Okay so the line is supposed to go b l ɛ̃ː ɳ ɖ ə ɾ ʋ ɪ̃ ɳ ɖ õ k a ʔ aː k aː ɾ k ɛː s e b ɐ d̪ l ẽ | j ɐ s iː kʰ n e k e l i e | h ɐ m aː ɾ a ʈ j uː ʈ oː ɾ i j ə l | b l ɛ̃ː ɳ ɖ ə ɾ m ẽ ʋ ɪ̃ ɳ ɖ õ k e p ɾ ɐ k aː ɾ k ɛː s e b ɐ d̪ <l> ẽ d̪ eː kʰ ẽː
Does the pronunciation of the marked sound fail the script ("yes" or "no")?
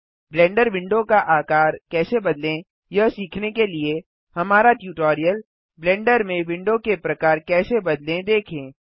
no